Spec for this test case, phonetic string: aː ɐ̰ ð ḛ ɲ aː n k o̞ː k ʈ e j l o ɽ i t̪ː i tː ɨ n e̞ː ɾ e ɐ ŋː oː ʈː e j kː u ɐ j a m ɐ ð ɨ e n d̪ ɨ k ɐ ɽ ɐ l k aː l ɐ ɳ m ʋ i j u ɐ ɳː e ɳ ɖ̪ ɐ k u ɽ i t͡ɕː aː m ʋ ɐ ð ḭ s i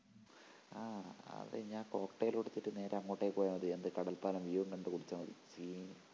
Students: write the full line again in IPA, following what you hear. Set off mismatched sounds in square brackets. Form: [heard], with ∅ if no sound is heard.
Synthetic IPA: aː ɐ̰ ð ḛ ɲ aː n k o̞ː k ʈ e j l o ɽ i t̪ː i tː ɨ n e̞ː ɾ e ɐ ŋː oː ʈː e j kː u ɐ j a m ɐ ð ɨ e n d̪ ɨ k ɐ ɽ ɐ l [p] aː l ɐ [∅] m ʋ i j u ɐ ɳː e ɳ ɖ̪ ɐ k u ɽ i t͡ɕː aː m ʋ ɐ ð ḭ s i